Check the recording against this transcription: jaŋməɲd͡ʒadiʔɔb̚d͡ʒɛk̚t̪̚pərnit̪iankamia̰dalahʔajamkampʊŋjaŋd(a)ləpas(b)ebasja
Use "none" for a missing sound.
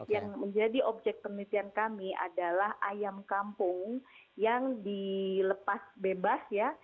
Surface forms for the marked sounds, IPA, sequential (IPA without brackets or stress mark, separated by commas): i, b